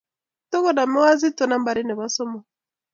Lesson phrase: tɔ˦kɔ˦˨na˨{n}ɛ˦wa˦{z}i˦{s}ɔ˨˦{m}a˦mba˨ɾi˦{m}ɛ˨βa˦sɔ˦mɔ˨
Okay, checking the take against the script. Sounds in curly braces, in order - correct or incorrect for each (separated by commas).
incorrect, correct, incorrect, incorrect, incorrect